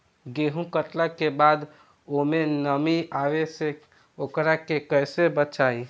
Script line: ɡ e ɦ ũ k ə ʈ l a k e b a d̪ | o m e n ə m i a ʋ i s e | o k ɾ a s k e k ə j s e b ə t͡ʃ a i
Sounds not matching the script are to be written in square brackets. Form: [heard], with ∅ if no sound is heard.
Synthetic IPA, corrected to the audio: ɡ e ɦ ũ k ə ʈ l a k e b a d̪ | o m e n ə m i a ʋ [e] s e | o k ɾ a [∅] k e k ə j s e b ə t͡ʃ a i